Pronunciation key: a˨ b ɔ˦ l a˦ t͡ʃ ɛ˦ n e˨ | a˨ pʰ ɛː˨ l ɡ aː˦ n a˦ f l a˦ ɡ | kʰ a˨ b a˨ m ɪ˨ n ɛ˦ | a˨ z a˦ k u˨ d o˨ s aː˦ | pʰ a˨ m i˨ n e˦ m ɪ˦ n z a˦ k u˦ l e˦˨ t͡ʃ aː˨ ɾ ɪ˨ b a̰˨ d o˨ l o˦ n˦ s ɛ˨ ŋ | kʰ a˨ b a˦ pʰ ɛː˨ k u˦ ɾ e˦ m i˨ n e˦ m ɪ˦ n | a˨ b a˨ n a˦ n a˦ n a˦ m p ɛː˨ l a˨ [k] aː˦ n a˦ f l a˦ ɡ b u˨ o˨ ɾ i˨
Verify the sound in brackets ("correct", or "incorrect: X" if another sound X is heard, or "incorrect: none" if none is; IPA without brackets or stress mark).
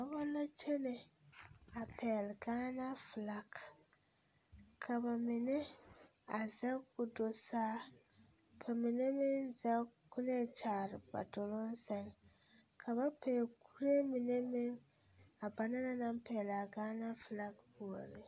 incorrect: ɡ